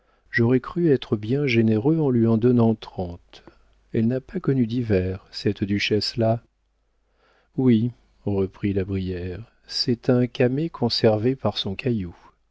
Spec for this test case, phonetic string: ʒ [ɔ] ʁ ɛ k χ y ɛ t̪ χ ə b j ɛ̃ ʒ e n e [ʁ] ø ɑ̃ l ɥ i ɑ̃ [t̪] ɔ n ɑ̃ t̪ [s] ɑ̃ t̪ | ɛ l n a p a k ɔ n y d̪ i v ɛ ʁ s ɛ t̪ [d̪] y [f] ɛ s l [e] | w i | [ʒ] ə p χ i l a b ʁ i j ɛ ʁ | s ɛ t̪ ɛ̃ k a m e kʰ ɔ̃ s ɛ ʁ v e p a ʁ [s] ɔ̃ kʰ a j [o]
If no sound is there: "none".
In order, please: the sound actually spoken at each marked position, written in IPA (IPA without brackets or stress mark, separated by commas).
ɔ, ʁ, d̪, χ, d̪, ʃ, a, ʁ, s, u